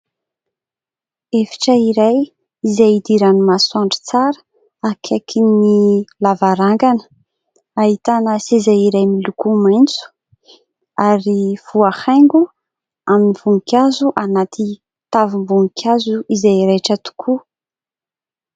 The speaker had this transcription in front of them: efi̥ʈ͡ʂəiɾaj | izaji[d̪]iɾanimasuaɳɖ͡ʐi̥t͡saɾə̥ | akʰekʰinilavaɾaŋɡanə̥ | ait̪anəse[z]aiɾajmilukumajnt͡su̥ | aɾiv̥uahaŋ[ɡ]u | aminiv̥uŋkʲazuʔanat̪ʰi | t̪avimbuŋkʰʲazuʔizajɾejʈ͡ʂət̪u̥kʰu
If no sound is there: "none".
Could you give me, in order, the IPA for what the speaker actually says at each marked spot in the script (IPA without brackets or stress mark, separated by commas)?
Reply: d̪, z, ɡ